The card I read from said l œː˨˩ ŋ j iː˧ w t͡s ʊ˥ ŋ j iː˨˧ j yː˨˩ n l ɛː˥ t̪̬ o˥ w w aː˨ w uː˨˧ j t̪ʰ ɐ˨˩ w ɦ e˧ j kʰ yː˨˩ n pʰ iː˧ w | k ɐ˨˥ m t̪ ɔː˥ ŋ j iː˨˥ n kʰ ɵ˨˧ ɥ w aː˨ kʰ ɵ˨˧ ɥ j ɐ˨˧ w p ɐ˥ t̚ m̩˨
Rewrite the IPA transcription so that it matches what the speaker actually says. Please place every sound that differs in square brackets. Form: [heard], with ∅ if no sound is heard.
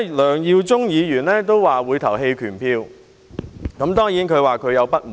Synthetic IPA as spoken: l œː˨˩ ŋ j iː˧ w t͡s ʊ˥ ŋ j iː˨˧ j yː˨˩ n l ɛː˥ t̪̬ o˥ w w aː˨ w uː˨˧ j t̪ʰ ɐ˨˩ w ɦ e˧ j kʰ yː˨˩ n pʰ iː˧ w | k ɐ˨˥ m t̪ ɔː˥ ŋ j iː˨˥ n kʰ ɵ˨˧ ɥ w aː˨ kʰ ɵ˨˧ ɥ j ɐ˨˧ w p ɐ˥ t̚ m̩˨